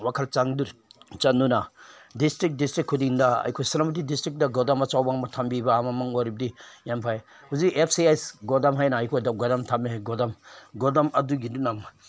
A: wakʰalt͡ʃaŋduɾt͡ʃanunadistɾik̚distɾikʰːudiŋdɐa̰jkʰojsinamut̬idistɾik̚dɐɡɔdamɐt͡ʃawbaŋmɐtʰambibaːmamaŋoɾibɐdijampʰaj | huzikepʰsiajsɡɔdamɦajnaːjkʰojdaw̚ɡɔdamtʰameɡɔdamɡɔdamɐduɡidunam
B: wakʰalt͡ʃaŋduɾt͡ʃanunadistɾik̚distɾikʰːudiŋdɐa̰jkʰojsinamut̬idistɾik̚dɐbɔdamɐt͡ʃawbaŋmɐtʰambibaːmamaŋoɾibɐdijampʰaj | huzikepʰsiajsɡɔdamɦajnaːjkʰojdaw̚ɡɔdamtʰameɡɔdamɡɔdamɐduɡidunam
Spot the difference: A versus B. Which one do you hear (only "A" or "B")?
A